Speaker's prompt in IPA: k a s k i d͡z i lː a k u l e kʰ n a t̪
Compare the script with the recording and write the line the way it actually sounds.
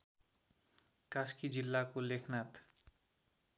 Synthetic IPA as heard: k a s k i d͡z i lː a k o l e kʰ n a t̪